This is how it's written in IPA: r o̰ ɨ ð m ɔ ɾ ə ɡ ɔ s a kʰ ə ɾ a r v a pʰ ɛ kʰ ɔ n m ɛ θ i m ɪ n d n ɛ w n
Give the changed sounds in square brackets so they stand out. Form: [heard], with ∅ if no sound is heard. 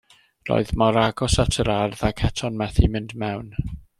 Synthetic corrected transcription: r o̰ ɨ ð m ɔ ɾ [a] ɡ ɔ s a [tʰ] ə ɾ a r [ð] a [kʰ] ɛ [tʰ] ɔ n m ɛ θ i m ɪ n d [m] ɛ w n